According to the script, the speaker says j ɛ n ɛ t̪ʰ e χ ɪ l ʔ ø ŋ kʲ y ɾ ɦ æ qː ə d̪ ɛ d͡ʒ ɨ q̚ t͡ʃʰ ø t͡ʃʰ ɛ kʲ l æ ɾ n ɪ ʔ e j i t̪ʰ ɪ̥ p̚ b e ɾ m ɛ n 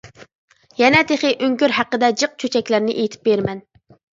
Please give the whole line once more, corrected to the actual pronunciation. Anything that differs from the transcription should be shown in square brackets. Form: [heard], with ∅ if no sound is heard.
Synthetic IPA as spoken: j ɛ n ɛ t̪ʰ e χ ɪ [∅] ʔ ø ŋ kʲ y ɾ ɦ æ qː ə d̪ ɛ d͡ʒ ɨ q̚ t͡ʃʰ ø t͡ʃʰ ɛ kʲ l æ ɾ n ɪ ʔ e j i t̪ʰ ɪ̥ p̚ b e ɾ m ɛ n